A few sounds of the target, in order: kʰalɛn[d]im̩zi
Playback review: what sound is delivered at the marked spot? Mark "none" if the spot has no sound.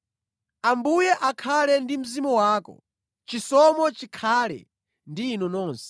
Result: d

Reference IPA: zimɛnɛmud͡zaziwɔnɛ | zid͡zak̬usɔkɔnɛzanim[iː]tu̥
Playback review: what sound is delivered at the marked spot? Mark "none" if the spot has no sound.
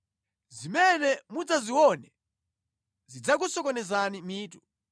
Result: iː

